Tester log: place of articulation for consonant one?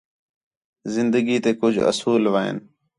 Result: alveolar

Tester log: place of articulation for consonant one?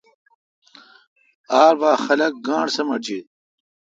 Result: alveolar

